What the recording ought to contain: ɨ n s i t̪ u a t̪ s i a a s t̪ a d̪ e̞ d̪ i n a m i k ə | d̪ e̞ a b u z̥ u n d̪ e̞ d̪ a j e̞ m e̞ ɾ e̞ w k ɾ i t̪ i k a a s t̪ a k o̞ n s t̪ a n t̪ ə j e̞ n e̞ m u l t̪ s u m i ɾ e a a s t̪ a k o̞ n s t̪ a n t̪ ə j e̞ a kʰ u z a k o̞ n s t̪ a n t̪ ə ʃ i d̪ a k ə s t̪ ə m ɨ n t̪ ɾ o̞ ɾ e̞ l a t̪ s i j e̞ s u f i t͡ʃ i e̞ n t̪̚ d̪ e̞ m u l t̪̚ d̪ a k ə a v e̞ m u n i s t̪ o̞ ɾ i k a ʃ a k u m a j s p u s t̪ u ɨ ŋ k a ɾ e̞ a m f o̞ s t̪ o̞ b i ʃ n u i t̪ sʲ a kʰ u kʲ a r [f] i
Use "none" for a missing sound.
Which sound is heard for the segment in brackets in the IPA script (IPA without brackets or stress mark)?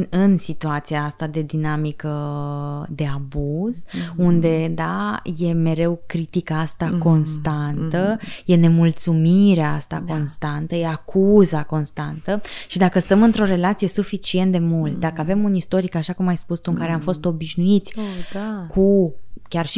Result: ʃ